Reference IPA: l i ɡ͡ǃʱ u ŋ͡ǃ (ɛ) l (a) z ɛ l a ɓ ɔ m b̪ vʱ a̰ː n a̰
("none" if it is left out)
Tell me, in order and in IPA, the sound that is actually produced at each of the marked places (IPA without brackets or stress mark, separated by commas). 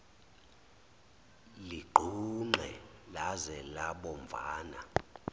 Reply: ɛ, a